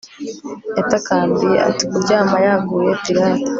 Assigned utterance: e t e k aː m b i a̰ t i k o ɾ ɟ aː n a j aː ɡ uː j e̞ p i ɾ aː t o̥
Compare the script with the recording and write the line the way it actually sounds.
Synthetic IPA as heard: e t a k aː m b i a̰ t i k u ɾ ɟ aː m a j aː ɡ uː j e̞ p i ɾ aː t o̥